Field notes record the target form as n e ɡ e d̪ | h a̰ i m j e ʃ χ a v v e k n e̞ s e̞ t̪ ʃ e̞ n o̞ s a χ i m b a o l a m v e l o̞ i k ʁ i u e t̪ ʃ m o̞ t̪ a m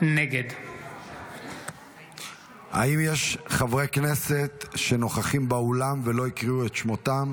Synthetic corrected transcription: n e ɡ e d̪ | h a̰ i m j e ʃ χ a v ʁ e k n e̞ s e̞ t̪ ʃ e̞ n o̞ χ a χ i m b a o l a m v e l o̞ i k ʁ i u e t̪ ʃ m o̞ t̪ a m

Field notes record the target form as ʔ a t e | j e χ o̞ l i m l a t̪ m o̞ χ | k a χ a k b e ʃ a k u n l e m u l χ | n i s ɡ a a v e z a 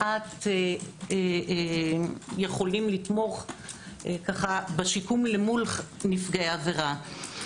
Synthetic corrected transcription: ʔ a t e | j e χ o̞ l i m l i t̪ m o̞ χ | k a χ a b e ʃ i k u m l e m u l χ | n i f ɡ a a v e ʁ a

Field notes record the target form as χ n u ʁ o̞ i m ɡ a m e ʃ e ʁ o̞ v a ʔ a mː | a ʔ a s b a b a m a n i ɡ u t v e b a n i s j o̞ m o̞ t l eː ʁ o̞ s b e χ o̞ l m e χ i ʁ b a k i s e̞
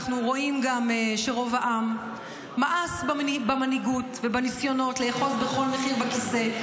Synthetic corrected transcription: χ n u ʁ o̞ i m ɡ a m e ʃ e ʁ o̞ v a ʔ a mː | a ʔ a s b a b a m a n i ɡ u t v e b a n i s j o̞ n o̞ t l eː χ o̞ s b e χ o̞ l m e χ i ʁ b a k i s e̞

